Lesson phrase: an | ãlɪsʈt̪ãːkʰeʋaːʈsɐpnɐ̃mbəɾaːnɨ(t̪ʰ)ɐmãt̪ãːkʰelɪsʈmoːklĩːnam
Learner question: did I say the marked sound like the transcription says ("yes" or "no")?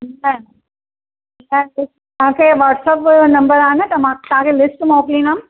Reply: no